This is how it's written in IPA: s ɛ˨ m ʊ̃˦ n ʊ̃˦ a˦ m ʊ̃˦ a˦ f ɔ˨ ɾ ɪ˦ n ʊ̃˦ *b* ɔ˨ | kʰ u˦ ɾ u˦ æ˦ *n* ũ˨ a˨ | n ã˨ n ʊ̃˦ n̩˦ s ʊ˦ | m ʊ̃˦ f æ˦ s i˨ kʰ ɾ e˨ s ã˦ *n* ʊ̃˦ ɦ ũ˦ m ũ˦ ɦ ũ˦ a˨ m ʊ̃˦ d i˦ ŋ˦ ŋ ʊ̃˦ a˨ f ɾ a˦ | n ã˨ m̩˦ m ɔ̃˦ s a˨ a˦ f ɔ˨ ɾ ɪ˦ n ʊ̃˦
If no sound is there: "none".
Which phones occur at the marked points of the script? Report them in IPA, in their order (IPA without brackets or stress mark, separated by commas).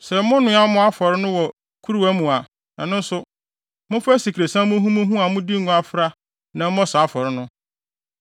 w, m, m